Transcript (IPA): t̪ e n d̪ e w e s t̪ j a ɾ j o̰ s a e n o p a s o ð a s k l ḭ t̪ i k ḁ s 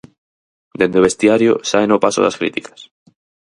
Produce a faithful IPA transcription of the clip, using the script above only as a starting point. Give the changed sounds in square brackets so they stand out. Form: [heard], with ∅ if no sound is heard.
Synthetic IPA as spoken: [d̪] e n d̪ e [β] e s t̪ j a ɾ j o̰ s a e n o p a s o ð a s k [ɾ] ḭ t̪ i k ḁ s